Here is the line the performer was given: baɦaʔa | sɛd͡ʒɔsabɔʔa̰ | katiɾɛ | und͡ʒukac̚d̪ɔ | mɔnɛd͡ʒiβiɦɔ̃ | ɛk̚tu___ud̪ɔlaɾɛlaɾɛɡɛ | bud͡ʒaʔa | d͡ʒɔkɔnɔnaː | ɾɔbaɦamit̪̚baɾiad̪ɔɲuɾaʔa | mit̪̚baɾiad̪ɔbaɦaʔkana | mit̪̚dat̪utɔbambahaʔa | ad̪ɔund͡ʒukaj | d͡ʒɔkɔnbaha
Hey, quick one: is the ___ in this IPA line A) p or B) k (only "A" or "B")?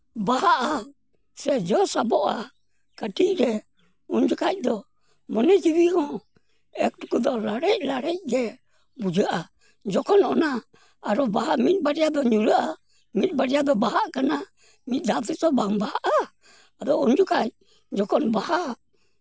B